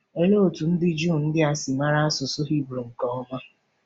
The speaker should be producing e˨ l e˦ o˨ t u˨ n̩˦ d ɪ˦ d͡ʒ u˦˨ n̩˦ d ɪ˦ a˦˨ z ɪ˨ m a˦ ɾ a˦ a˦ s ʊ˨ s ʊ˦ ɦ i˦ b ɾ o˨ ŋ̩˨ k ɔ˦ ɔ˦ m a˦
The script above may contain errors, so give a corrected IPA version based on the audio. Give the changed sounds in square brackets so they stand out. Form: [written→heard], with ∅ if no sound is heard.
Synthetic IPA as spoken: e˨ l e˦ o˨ t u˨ n̩˦ d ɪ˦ d͡ʒ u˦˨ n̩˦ d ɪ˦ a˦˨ [z→s] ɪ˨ m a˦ ɾ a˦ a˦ s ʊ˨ s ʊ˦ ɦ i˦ b ɾ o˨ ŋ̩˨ k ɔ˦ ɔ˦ m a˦